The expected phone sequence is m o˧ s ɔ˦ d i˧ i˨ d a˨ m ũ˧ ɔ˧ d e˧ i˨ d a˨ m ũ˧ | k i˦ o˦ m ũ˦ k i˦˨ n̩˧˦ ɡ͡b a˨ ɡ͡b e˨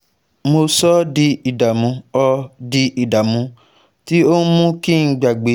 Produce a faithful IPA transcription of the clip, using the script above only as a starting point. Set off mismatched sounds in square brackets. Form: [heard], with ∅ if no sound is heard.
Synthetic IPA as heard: m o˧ s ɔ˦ d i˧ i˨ d a˨ m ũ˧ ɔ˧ d [i˧] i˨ d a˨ m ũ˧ | [t] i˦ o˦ m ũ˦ k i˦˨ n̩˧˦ ɡ͡b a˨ ɡ͡b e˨